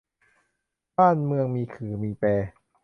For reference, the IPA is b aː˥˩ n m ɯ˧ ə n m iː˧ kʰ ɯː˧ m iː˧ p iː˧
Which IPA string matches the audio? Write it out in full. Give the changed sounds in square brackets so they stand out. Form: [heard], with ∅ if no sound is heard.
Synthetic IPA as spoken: b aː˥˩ n m ɯ˧ ə [ŋ] m iː˧ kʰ [ɯː˩˦] m iː˧ p [ɛː˧]